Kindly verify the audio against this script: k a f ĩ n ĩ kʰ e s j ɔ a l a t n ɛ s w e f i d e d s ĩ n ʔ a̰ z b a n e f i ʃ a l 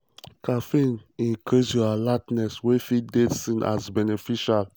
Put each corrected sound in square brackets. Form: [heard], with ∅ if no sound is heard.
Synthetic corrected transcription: k a f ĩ n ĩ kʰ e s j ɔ a l a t n ɛ s w e f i d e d s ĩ n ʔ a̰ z b [ɛ] n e f i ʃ a l